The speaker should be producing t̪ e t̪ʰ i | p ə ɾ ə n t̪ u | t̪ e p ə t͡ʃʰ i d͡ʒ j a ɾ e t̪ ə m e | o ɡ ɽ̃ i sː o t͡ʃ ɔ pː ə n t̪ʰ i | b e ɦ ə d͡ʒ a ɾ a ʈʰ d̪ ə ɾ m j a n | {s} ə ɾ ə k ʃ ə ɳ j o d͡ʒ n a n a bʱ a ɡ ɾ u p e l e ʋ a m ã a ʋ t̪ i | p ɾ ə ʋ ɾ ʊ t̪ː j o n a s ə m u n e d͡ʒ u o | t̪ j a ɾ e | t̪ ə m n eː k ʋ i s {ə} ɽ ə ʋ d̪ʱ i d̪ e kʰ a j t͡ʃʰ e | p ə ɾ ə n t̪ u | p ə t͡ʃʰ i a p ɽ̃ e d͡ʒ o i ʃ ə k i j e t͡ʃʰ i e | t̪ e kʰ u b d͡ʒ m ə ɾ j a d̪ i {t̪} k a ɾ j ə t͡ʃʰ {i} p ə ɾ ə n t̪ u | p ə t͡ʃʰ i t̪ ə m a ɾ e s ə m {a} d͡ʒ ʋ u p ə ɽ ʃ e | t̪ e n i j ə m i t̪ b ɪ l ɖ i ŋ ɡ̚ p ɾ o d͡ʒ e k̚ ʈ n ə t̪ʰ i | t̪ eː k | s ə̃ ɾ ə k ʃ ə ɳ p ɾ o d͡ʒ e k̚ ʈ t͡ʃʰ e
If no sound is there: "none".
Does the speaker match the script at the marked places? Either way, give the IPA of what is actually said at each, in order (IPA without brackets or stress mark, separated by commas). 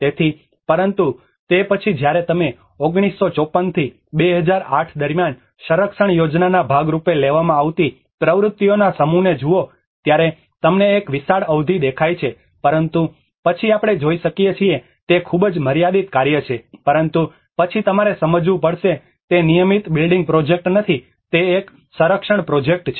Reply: ʃ, a, t̪, e, ə